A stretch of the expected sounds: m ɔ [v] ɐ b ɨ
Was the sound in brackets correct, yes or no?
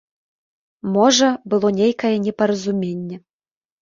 no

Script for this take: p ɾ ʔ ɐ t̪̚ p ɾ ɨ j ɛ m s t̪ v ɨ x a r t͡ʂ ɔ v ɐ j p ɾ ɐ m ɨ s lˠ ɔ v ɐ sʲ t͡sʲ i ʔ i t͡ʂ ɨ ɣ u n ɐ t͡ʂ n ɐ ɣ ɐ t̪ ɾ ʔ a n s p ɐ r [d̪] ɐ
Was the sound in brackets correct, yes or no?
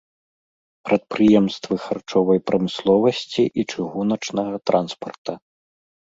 no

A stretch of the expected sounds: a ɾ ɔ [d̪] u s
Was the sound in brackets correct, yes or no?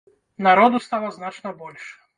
yes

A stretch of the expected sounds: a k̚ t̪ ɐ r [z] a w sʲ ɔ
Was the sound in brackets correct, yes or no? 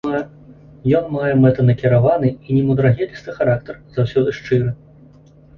yes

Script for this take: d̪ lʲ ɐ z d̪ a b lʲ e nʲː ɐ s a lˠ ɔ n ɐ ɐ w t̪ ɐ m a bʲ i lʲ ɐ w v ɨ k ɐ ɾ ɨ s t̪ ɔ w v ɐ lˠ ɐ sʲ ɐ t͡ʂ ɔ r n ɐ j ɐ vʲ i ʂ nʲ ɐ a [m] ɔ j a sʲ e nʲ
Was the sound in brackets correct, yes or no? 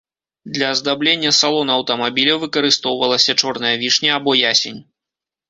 no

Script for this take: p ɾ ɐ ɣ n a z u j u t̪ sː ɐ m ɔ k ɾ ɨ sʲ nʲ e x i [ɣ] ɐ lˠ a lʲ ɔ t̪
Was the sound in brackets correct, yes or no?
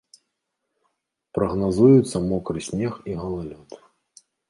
yes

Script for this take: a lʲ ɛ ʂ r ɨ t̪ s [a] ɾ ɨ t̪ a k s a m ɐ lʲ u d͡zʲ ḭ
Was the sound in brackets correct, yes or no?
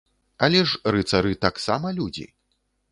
yes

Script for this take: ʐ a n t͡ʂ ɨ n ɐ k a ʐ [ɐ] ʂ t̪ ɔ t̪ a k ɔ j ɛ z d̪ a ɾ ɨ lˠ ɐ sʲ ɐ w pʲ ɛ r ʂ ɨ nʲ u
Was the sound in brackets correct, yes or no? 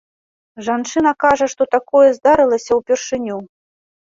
yes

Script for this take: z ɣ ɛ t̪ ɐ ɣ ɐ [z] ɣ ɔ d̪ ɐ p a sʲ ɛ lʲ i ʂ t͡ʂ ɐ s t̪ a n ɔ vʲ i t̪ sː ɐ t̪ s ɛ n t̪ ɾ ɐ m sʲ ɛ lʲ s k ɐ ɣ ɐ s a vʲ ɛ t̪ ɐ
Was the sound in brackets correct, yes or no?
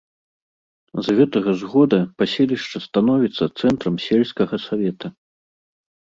yes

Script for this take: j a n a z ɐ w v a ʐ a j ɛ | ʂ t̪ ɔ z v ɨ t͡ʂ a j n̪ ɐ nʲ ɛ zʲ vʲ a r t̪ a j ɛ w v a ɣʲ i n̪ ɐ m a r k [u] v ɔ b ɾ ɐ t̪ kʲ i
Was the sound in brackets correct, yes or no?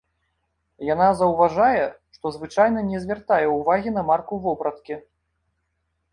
yes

